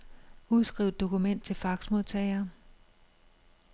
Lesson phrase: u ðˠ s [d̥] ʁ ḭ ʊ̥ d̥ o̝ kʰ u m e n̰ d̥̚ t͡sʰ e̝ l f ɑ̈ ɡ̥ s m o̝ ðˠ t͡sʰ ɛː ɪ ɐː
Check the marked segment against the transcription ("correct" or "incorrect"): incorrect